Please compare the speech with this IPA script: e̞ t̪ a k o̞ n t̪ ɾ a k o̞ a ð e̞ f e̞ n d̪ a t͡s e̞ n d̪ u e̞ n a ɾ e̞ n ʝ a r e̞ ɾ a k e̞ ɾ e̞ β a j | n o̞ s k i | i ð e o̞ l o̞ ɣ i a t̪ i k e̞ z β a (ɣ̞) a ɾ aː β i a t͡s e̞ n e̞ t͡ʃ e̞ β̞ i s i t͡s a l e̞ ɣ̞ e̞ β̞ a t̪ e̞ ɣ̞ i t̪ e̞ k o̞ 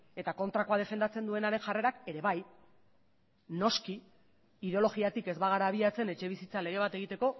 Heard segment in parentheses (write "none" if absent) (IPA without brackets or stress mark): ɣ̞